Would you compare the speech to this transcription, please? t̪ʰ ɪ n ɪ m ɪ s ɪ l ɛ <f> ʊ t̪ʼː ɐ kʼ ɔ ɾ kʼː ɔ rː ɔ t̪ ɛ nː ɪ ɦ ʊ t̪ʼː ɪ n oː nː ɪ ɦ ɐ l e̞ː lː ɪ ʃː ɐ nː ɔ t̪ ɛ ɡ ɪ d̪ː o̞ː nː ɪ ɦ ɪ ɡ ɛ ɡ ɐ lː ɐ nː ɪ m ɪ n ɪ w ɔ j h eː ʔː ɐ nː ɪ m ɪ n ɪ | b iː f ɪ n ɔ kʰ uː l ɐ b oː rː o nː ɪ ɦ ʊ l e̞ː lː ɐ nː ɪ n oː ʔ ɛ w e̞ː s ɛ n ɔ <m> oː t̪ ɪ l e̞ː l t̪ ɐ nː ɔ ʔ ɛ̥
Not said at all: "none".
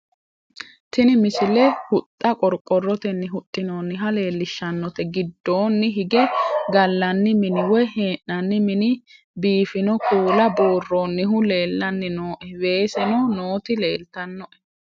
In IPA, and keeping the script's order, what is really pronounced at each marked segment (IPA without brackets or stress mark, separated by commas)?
h, n